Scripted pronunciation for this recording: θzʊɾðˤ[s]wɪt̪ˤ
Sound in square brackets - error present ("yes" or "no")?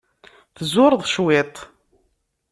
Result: yes